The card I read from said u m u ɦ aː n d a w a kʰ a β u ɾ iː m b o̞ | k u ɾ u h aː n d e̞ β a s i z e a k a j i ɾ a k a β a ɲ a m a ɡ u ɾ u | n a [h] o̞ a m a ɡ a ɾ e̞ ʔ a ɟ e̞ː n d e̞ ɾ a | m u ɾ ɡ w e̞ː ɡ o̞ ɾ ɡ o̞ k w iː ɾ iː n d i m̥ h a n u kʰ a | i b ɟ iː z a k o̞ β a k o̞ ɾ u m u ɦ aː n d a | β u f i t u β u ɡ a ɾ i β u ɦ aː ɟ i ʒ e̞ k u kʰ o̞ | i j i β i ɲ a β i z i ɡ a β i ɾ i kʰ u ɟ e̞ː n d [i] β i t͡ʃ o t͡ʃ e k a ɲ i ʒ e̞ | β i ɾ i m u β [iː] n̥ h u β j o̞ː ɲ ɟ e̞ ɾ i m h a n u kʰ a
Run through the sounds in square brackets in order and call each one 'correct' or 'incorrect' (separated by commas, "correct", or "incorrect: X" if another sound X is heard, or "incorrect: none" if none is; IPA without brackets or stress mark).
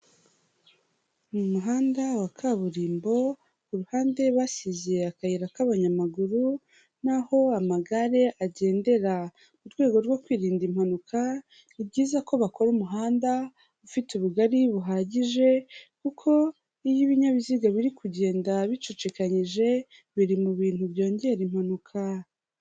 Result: correct, incorrect: a, correct